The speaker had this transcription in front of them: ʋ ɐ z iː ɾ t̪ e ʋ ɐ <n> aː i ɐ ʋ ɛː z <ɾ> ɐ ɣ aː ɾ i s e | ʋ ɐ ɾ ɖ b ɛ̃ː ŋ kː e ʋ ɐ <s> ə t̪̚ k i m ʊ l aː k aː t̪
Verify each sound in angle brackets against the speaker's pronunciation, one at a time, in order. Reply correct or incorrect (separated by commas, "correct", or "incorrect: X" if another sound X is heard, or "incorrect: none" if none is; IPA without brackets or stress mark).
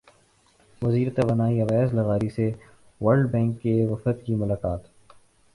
correct, incorrect: l, incorrect: f